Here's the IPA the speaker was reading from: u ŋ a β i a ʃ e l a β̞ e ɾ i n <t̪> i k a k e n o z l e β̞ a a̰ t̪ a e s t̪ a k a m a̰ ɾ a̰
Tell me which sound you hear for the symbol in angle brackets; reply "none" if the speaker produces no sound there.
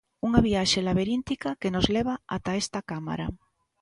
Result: t̪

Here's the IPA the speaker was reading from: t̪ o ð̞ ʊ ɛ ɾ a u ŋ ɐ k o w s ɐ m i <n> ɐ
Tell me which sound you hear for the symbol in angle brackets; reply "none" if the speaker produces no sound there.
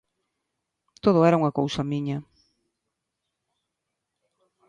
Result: ɲ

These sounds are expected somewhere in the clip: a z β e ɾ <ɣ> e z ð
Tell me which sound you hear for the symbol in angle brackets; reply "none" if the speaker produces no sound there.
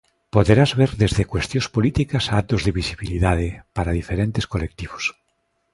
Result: ð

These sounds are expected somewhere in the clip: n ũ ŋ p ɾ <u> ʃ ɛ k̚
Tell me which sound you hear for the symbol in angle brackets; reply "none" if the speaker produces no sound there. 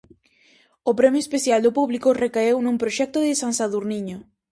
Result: o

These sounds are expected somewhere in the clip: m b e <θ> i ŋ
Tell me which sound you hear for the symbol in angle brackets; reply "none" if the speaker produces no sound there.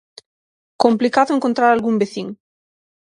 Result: θ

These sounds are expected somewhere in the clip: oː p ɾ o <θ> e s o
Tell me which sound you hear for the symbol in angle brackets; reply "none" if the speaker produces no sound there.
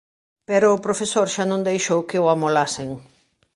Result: f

